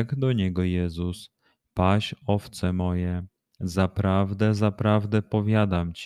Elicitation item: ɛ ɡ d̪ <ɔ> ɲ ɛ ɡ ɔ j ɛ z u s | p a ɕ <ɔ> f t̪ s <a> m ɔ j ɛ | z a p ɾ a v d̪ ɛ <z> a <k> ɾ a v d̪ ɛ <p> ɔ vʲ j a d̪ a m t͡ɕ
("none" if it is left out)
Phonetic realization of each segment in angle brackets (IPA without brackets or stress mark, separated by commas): ɔ, ɔ, ɛ, z, p, p